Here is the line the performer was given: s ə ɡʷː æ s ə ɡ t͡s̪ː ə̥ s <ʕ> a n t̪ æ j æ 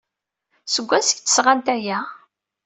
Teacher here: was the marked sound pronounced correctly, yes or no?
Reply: no